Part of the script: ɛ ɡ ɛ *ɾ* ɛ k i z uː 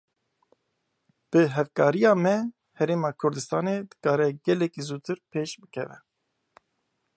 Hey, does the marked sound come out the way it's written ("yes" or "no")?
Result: no